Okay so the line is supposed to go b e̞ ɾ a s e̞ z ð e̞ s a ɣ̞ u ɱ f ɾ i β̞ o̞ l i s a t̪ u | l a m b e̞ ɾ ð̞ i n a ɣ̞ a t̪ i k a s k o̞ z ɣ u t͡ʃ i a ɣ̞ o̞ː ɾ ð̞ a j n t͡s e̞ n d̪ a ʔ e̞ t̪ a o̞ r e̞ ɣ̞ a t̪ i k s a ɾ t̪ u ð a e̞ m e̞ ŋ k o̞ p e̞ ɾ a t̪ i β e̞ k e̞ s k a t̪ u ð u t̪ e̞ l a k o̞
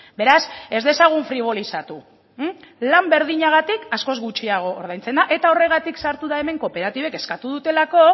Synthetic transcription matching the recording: b e̞ ɾ a s e̞ z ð e̞ s a ɣ̞ u ɱ f ɾ i β̞ o̞ l i s a t̪ u | l a m b e̞ ɾ ð̞ i ɲ a ɣ̞ a t̪ i k a s k o̞ z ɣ u t͡ʃ i a ɣ̞ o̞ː ɾ ð̞ a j n t͡s e̞ n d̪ a ʔ e̞ t̪ a o̞ r e̞ ɣ̞ a t̪ i k s a ɾ t̪ u ð a e̞ m e̞ ŋ k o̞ p e̞ ɾ a t̪ i β e̞ k e̞ s k a t̪ u ð u t̪ e̞ l a k o̞